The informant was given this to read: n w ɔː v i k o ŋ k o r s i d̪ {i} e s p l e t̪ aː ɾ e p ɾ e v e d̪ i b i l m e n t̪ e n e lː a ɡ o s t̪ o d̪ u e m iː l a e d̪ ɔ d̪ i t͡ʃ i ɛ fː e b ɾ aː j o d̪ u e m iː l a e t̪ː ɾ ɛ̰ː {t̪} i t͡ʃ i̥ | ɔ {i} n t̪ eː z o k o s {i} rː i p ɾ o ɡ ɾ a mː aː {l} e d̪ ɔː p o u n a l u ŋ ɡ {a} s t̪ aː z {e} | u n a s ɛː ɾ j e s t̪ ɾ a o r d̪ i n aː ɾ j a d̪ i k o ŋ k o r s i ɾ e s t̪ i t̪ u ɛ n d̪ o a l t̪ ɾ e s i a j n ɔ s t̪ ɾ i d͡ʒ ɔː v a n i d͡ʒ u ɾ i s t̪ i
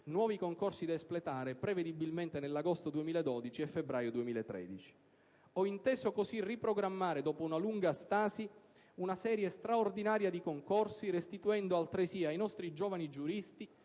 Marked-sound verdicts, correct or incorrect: incorrect, incorrect, correct, correct, incorrect, correct, incorrect

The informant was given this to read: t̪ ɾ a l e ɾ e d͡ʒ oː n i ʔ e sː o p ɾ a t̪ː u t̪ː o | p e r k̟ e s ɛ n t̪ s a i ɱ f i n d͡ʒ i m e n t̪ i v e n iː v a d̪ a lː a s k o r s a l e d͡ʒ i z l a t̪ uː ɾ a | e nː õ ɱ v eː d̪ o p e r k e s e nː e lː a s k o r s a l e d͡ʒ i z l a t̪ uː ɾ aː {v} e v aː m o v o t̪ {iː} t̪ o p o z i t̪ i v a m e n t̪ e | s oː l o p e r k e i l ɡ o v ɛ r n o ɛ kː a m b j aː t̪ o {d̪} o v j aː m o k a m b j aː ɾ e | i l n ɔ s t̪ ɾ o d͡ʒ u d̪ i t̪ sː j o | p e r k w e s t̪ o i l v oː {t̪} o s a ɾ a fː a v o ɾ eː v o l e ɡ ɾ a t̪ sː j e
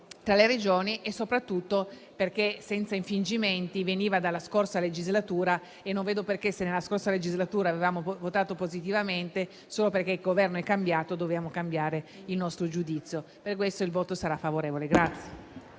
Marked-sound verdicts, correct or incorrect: correct, incorrect, correct, correct

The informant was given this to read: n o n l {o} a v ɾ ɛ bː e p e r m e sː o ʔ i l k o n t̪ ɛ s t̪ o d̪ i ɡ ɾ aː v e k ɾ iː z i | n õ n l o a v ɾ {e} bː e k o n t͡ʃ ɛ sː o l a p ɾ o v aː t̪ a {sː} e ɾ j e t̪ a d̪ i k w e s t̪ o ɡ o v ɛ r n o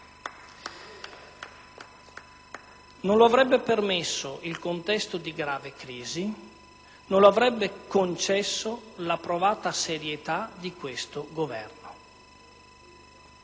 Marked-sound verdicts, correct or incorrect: correct, incorrect, incorrect

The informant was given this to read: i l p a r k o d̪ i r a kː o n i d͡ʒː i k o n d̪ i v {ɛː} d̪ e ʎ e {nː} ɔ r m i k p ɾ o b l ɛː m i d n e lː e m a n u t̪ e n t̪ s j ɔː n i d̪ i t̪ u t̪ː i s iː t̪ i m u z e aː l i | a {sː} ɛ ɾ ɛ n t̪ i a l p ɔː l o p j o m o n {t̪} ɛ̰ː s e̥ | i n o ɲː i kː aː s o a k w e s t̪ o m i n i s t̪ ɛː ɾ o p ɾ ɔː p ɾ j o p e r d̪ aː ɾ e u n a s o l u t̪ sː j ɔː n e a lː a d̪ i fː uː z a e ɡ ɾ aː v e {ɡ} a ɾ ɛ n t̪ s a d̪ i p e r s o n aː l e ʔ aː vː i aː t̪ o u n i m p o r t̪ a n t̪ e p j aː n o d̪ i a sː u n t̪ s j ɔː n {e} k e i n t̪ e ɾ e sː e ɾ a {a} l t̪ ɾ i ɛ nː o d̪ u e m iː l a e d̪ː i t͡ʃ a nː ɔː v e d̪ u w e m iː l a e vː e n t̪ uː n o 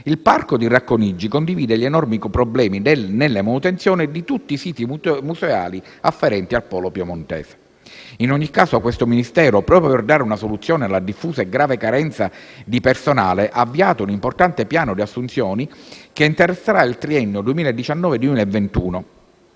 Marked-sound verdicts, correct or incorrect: incorrect, incorrect, incorrect, correct, incorrect, incorrect, incorrect

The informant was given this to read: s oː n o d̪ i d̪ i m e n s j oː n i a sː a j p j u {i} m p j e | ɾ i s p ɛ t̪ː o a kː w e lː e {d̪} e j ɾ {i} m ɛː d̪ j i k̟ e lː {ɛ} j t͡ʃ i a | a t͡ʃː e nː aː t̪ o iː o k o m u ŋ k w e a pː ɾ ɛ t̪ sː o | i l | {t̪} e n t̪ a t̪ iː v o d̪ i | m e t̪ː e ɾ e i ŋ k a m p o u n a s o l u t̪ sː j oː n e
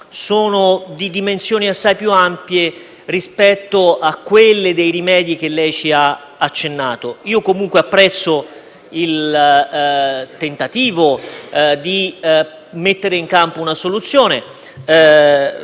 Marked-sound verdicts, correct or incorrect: incorrect, correct, correct, correct, correct

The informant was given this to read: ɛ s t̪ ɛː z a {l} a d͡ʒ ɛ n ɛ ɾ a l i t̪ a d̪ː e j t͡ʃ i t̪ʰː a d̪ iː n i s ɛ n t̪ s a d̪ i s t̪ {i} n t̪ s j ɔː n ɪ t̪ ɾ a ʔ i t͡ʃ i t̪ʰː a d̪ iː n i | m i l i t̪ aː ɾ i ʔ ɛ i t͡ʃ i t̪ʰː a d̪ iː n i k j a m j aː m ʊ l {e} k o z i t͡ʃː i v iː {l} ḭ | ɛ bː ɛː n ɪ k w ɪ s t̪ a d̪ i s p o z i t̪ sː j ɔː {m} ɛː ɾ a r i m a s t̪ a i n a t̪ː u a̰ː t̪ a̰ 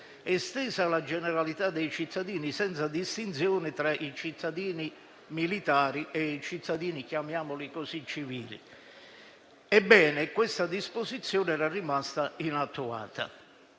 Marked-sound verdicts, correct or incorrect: correct, correct, incorrect, correct, incorrect

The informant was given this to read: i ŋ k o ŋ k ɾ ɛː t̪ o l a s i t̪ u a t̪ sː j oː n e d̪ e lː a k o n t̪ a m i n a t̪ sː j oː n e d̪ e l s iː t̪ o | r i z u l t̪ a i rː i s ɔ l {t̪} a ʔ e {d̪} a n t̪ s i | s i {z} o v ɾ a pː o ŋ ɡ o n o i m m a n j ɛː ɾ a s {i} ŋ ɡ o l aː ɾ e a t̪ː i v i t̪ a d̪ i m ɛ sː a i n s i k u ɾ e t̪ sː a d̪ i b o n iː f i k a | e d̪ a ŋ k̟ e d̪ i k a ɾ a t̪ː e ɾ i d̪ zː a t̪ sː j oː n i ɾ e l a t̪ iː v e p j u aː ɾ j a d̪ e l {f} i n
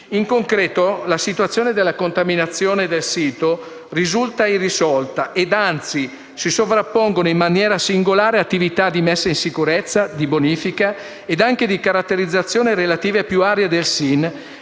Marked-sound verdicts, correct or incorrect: correct, correct, incorrect, correct, incorrect

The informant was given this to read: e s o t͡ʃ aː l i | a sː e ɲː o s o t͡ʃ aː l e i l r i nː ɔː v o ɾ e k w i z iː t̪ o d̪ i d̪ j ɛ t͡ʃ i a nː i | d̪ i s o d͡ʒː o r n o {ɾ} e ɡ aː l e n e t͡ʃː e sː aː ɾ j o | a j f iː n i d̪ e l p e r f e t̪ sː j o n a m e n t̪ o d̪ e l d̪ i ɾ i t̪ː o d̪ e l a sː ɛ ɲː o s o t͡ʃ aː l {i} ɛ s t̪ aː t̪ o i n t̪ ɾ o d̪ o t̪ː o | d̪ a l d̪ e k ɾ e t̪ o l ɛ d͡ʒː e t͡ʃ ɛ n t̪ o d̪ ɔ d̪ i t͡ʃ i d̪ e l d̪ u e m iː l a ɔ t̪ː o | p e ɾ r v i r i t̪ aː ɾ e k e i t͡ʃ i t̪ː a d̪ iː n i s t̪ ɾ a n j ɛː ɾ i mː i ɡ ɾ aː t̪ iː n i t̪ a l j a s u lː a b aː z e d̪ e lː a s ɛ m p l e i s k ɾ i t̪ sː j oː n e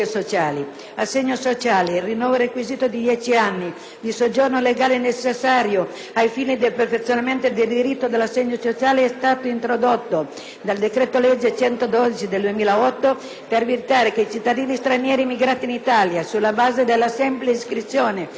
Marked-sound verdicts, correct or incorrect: incorrect, incorrect

